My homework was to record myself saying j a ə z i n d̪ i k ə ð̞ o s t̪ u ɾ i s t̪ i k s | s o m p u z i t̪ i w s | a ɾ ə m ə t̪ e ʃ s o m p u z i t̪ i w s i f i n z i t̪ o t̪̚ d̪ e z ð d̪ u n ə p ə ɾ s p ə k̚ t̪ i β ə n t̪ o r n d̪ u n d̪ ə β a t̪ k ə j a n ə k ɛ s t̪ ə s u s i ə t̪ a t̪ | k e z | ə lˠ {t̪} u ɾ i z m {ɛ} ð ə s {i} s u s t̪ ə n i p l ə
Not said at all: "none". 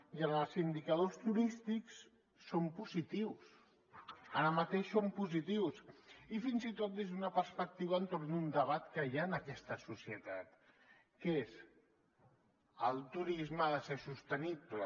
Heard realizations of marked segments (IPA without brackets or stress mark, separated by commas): t̪, a, e